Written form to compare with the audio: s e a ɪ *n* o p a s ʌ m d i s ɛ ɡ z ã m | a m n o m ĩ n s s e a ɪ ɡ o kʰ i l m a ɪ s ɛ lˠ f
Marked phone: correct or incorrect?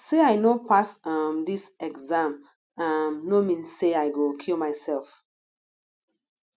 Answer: correct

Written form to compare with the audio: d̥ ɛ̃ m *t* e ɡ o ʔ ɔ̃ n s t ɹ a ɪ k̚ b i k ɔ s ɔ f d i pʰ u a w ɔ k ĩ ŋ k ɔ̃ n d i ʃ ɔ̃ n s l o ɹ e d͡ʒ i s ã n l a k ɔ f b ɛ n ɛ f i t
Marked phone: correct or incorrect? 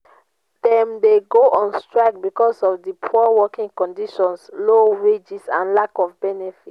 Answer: incorrect: d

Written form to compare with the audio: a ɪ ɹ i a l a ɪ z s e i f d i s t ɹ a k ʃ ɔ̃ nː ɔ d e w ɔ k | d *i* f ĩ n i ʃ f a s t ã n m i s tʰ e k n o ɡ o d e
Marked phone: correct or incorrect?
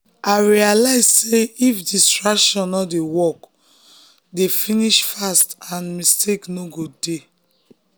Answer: incorrect: e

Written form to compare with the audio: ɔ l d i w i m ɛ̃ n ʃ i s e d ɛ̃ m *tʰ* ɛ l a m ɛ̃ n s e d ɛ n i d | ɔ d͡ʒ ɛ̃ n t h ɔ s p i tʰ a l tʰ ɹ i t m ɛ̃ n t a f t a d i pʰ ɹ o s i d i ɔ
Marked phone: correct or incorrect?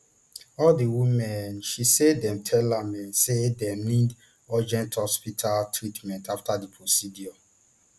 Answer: correct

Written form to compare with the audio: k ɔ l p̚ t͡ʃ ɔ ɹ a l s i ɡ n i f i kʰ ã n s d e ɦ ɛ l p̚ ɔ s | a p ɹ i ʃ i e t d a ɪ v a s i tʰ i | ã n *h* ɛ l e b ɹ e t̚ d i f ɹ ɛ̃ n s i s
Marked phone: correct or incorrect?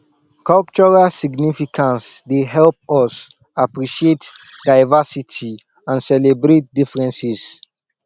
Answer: incorrect: s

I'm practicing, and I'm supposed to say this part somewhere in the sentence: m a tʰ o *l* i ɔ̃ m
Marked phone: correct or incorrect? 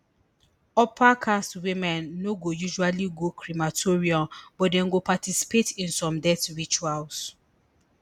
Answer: incorrect: ɹ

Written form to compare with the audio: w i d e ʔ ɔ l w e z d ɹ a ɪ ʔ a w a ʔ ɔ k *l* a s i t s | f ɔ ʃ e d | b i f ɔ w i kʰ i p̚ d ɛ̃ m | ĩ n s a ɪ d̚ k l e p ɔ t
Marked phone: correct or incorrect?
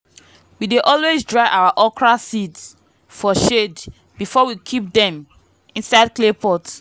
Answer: incorrect: ɹ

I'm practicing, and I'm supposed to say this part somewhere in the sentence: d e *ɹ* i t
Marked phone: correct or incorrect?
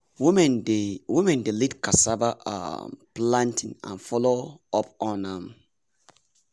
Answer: incorrect: l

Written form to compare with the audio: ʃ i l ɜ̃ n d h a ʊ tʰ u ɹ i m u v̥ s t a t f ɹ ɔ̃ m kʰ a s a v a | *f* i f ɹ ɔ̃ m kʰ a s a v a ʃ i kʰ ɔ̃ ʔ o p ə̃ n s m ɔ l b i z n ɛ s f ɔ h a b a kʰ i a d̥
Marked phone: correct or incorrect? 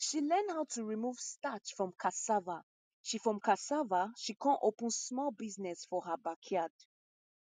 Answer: incorrect: ʃ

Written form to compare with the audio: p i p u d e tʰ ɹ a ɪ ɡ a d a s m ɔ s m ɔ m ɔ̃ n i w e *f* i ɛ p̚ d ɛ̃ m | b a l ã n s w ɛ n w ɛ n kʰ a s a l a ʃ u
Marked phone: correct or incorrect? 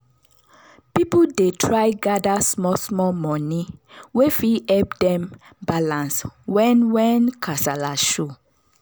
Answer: correct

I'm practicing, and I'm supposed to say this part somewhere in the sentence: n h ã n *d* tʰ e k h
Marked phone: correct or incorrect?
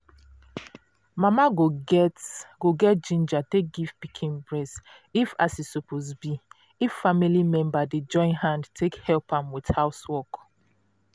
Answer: correct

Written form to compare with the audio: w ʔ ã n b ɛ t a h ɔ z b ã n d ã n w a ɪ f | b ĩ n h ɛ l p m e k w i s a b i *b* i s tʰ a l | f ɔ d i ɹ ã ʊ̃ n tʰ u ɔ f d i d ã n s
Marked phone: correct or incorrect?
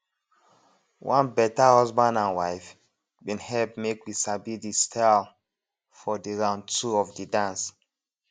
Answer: incorrect: d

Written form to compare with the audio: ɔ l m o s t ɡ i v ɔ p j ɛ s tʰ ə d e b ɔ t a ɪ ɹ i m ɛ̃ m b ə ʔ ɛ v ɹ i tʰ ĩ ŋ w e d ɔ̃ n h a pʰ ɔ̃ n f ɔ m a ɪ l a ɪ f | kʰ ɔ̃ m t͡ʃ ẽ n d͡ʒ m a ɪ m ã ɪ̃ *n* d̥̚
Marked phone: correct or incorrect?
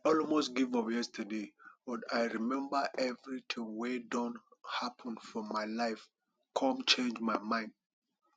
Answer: correct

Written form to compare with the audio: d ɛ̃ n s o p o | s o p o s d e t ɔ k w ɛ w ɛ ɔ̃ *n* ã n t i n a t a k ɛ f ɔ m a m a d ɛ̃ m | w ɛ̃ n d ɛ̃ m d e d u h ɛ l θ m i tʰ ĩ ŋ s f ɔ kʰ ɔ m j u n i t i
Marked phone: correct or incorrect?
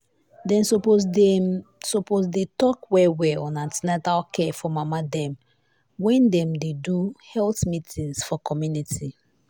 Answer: correct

